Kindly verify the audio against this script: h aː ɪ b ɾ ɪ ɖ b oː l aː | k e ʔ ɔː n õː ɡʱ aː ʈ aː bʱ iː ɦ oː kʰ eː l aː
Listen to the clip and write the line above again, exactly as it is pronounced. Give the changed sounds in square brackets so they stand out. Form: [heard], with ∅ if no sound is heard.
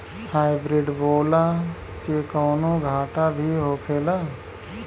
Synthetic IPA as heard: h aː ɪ b ɾ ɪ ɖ b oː l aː | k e [k] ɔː n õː ɡʱ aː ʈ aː bʱ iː ɦ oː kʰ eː l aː